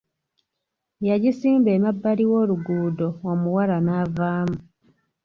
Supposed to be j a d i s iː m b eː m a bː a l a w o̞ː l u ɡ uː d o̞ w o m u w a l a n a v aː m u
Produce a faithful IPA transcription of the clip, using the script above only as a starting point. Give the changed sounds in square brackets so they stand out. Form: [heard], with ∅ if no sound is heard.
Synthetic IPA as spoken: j a [ɟ] i s iː m b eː m a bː a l [i] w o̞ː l u ɡ uː d o̞ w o m u w a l a n a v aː m u